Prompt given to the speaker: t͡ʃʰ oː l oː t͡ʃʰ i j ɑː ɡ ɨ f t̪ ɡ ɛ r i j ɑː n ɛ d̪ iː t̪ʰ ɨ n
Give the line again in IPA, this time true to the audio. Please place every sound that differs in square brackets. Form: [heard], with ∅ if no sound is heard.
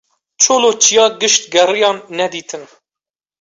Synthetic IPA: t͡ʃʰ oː l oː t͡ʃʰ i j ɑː ɡ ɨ [ʃ] t̪ ɡ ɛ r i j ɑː [nː] ɛ d̪ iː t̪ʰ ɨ n